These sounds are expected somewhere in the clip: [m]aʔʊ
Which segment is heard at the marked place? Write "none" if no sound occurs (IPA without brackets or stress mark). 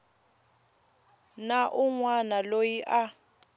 n